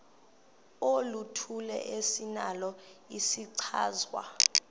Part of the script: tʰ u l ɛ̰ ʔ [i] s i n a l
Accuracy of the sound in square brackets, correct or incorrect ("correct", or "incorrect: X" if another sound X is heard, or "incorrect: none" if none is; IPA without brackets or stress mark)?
incorrect: e